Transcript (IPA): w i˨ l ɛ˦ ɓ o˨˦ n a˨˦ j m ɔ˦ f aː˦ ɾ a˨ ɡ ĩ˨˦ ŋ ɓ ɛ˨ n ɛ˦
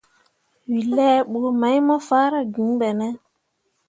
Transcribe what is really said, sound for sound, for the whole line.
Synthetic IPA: w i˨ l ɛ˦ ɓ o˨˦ m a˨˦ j m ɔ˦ f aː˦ ɾ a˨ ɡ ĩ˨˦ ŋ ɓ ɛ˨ n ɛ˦